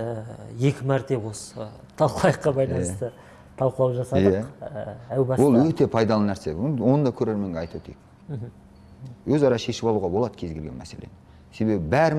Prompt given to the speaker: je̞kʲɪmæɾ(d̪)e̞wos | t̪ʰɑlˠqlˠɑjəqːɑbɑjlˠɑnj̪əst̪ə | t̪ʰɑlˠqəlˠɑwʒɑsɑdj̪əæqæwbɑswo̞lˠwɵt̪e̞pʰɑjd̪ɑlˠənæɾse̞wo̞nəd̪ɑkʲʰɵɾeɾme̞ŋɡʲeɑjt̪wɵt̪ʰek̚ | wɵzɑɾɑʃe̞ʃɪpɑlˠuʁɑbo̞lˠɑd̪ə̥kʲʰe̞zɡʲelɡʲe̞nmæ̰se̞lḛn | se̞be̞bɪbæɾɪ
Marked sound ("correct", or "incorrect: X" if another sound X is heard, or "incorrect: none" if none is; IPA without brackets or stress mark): incorrect: t̪